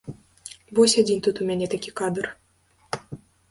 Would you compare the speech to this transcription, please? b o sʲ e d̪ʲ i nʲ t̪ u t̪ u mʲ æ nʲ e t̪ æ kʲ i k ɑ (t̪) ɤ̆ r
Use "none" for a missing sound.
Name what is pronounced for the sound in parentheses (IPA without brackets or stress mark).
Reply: d̪